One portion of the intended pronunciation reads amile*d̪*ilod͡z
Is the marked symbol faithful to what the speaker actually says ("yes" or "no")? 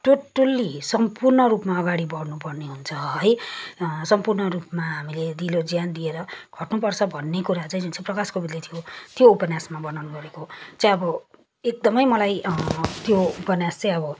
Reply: yes